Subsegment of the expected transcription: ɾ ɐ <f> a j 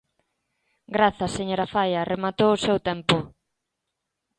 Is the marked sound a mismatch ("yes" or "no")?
no